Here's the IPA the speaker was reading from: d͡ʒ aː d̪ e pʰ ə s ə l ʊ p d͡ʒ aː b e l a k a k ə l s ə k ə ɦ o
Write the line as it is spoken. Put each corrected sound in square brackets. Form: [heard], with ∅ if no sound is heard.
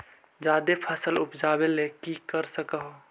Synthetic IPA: d͡ʒ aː d̪ e pʰ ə s ə l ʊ p d͡ʒ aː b e l [e] k [i] k ə [ɾ] s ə k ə ɦ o